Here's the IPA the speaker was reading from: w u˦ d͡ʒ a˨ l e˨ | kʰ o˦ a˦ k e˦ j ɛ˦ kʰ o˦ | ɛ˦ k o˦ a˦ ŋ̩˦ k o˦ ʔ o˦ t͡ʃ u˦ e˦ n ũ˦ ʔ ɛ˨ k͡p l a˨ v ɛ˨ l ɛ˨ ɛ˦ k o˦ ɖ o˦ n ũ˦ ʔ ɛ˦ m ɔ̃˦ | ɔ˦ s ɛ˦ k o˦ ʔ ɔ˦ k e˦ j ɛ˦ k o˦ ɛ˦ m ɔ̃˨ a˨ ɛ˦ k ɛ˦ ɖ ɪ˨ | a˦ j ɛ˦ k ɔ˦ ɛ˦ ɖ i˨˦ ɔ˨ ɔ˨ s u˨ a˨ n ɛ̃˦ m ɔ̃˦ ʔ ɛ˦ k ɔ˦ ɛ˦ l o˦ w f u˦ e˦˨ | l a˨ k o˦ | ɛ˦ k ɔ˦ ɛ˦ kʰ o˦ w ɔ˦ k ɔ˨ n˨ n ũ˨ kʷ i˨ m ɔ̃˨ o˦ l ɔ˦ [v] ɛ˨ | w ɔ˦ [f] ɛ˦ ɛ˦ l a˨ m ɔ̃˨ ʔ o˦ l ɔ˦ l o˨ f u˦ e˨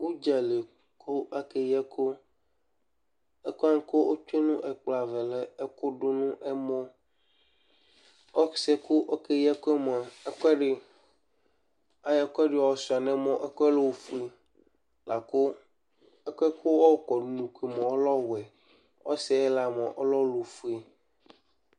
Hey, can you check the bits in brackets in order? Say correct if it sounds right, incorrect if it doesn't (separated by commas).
incorrect, incorrect